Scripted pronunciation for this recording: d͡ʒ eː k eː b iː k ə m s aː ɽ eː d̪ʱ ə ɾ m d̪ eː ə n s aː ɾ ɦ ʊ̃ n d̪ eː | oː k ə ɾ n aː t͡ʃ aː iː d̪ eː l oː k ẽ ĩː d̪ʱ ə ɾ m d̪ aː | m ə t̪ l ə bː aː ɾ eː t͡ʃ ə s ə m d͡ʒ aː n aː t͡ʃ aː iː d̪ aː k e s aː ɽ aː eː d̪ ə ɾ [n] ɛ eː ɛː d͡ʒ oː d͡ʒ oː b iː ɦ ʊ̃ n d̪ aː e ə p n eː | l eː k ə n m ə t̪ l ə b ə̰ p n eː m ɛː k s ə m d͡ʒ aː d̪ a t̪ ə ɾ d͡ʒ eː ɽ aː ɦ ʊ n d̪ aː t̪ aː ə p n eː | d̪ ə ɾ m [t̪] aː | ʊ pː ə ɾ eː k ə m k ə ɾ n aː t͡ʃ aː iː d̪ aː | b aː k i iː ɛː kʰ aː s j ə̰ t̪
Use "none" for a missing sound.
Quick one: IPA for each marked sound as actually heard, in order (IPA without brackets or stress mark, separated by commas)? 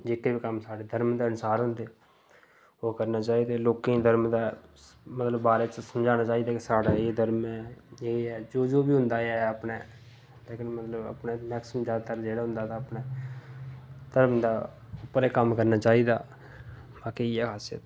m, d̪